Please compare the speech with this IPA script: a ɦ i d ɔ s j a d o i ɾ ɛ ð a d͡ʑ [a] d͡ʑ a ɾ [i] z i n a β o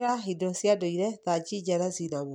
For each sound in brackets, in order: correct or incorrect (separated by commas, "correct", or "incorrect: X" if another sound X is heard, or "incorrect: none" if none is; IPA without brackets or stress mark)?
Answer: incorrect: i, incorrect: a